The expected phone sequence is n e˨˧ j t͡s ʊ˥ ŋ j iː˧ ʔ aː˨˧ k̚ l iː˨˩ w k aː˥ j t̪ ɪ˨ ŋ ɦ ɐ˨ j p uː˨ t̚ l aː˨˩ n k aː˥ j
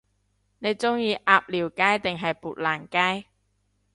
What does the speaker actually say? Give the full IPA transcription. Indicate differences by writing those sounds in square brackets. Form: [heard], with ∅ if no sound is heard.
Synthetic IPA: n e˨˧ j t͡s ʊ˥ ŋ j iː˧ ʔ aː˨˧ [p̚] l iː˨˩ w k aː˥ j t̪ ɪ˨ ŋ ɦ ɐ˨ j p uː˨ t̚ l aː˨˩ n k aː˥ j